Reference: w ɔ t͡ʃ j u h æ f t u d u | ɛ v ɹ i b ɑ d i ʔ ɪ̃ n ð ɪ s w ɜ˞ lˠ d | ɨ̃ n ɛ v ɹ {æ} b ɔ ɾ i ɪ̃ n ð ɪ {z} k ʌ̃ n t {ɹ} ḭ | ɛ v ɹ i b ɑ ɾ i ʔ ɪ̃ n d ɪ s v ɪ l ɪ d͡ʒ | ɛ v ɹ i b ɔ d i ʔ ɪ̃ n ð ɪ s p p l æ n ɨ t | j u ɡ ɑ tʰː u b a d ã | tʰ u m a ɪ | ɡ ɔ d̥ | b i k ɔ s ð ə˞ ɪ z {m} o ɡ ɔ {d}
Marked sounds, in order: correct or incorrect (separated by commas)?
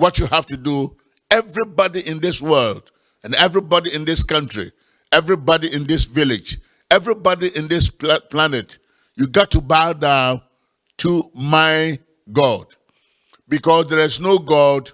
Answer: incorrect, incorrect, correct, incorrect, correct